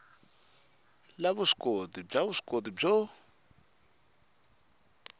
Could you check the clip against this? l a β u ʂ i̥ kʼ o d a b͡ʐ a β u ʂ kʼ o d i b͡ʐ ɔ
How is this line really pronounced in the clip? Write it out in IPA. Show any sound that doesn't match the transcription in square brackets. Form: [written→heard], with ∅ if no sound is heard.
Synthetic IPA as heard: l a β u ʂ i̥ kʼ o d [a→i] b͡ʐ a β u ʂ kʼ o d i b͡ʐ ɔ